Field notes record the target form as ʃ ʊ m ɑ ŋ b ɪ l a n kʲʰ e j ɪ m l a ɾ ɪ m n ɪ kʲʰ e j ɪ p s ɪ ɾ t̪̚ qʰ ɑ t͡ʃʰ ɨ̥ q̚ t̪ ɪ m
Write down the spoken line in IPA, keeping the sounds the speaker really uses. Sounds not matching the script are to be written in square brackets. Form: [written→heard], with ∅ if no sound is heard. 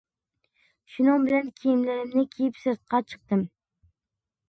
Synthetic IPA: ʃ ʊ [m→n] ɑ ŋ b ɪ l a n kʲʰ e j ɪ m l a ɾ ɪ m n ɪ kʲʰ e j ɪ p s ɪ ɾ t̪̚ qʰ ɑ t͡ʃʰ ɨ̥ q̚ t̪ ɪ m